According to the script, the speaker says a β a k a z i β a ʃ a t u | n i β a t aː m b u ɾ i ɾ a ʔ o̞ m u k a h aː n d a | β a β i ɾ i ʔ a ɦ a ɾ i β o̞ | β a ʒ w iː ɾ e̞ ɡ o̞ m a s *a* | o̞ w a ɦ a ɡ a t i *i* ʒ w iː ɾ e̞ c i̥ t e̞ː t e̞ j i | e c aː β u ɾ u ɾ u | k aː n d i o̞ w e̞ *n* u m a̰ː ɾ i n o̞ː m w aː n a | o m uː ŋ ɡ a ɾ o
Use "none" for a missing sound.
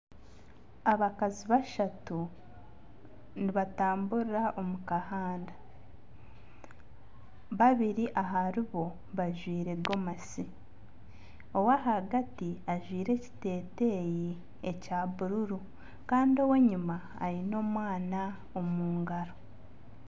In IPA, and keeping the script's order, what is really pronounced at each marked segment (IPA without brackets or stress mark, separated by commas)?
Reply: i, a, ɲ